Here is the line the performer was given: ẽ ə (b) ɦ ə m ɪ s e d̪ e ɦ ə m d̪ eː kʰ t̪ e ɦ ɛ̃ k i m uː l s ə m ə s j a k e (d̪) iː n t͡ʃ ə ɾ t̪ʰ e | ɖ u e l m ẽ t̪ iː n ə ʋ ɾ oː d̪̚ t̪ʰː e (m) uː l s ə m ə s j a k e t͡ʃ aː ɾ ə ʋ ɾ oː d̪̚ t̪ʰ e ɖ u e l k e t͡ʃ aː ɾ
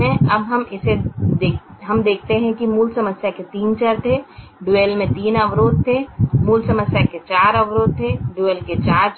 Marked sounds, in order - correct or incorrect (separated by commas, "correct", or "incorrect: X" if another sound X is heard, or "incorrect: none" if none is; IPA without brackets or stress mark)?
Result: correct, incorrect: t̪, correct